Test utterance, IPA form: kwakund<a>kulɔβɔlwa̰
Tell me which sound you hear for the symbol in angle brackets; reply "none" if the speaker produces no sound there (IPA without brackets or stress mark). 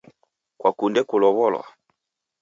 ɛ